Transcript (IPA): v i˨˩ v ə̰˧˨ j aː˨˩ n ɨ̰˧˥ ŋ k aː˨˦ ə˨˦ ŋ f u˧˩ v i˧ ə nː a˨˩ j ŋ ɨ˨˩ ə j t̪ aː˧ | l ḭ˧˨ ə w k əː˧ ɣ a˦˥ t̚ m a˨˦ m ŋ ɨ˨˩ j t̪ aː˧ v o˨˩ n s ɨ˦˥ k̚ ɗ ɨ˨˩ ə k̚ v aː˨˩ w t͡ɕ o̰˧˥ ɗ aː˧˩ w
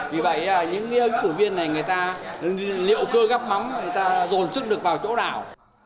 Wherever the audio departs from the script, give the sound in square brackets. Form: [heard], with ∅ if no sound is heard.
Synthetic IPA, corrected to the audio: v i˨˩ v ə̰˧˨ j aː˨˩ [ɲ] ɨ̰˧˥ ŋ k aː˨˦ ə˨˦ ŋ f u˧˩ v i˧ ə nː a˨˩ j ŋ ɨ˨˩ ə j t̪ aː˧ | l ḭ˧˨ ə w k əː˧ ɣ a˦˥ [p̚] m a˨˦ m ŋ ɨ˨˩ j t̪ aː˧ [z] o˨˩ n s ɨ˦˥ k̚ ɗ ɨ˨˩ ə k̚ v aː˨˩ w t͡ɕ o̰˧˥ ɗ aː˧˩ w

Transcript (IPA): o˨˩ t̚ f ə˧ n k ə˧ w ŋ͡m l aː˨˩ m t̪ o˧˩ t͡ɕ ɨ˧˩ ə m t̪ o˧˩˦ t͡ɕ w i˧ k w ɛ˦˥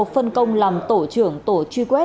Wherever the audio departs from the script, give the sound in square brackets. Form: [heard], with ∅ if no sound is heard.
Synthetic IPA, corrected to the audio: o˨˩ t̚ f ə˧ n k ə˧ w ŋ͡m l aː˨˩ m t̪ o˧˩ t͡ɕ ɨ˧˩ ə [ŋ] t̪ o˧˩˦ t͡ɕ w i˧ k w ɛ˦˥

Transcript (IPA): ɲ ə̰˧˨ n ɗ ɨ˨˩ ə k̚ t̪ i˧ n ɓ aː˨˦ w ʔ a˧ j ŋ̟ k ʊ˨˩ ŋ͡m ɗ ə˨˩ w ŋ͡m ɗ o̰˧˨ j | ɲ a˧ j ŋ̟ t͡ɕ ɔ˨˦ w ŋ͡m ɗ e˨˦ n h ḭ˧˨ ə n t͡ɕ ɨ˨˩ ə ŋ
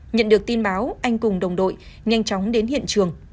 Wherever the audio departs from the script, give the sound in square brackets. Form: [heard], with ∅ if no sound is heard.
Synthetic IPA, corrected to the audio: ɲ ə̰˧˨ n ɗ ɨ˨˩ ə k̚ t̪ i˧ n ɓ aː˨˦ w ʔ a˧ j ŋ̟ k ʊ˨˩ ŋ͡m ɗ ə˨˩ w ŋ͡m ɗ o̰˧˨ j | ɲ a˧ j ŋ̟ t͡ɕ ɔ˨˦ w ŋ͡m ɗ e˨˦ n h ḭ˧˨ ə n t͡ɕ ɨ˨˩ ə ŋ

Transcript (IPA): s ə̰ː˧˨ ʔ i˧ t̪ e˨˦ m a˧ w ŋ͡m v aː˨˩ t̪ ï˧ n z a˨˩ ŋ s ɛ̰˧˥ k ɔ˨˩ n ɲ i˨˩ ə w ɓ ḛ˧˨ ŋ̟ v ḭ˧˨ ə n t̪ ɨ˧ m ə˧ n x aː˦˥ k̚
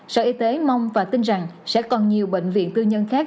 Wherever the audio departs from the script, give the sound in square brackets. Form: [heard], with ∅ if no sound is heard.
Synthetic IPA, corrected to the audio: s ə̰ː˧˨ ʔ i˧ t̪ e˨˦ m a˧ w ŋ͡m v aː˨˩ t̪ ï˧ n z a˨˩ ŋ s ɛ̰˧˥ k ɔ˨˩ n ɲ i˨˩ ə w ɓ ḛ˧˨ ŋ̟ v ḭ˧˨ ə n t̪ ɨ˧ [ɲ] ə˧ n x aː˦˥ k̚

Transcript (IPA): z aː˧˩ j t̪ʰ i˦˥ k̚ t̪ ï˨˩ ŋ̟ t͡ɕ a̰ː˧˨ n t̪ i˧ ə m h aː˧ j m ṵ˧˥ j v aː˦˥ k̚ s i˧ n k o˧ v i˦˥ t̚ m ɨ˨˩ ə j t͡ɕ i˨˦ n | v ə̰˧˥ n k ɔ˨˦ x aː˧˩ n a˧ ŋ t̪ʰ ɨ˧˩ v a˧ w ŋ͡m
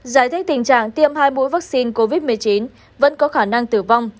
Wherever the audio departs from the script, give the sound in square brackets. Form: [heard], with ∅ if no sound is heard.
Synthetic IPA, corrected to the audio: z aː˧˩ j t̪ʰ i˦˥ k̚ t̪ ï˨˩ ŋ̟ t͡ɕ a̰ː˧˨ [ŋ] t̪ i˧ ə m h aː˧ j m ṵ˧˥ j v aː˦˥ k̚ s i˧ n k o˧ v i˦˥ t̚ m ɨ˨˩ ə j t͡ɕ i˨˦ n | v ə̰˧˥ n k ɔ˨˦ x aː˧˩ n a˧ ŋ [t̪] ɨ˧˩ v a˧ w ŋ͡m

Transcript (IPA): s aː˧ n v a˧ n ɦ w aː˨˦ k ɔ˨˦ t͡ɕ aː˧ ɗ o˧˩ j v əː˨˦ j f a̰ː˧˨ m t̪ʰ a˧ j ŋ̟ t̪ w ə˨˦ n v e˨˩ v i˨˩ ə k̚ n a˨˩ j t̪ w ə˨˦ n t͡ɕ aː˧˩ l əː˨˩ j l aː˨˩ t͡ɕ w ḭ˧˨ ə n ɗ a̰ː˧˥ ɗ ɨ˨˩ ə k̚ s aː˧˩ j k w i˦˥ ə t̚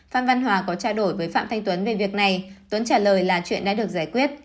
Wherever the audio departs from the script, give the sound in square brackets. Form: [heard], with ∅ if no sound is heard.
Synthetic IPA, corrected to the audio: [f] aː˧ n v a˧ n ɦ w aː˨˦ k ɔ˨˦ t͡ɕ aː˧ ɗ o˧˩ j v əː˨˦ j f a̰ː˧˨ m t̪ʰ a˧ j ŋ̟ t̪ w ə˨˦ n v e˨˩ v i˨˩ ə k̚ n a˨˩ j t̪ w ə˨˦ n t͡ɕ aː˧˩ l əː˨˩ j l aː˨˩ t͡ɕ w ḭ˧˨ ə n ɗ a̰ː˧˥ ɗ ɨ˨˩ ə k̚ [z] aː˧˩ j k w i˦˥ ə t̚

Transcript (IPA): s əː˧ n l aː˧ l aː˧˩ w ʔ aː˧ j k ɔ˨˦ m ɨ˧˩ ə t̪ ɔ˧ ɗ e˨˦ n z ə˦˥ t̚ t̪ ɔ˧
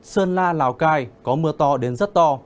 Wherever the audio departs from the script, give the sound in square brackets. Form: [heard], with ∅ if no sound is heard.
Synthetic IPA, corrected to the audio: s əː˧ n l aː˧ l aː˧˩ w [k] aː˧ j k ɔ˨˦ m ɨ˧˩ ə t̪ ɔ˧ ɗ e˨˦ n z ə˦˥ t̚ t̪ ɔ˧

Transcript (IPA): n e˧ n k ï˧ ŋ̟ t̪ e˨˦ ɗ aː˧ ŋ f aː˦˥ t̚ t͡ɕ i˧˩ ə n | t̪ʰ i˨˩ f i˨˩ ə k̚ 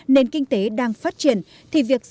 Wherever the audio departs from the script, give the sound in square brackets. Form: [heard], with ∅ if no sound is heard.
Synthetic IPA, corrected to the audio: n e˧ n k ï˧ ŋ̟ t̪ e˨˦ ɗ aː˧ ŋ f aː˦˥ t̚ t͡ɕ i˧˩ ə n | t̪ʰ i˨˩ [v] i˨˩ ə k̚

